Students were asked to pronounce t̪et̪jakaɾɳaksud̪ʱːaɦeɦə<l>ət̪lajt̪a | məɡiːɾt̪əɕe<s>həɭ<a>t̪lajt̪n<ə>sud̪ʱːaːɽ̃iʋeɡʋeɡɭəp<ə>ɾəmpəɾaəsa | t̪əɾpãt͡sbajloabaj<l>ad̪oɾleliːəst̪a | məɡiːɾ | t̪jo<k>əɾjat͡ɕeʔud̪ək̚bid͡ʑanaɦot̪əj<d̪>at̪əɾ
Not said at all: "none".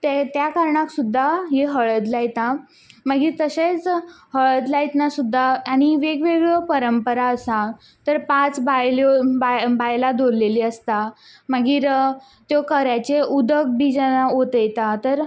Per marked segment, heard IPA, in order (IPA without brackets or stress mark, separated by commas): ɭ, t͡s, ə, a, ə, l, k, t̪